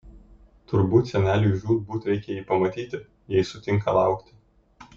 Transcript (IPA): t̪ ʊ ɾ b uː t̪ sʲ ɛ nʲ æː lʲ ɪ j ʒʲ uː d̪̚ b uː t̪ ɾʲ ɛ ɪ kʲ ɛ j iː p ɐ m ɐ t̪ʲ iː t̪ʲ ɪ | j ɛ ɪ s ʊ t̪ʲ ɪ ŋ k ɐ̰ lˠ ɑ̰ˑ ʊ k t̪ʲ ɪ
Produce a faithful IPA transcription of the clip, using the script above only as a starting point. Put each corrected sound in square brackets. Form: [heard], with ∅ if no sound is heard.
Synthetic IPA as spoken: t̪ ʊ ɾ b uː t̪ sʲ ɛ nʲ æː lʲ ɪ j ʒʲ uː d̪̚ b uː t̪ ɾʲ ɛ ɪ kʲ ɛ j iː p ɐ m ɐ t̪ʲ iː t̪ʲ ɪ | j ɛ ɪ s ʊ t̪ʲ ɪ ŋ k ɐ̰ lˠ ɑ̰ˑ ʊ k t̪ʲ ɪ